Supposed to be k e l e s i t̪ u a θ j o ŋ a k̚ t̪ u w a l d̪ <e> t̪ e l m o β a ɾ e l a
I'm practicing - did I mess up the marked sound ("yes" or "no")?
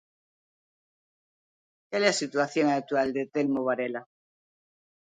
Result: no